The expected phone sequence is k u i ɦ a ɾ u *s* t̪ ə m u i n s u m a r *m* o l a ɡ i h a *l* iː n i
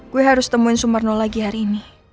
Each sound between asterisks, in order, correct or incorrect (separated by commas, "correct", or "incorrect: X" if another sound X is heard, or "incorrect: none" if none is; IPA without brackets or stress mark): correct, incorrect: n, incorrect: ɾ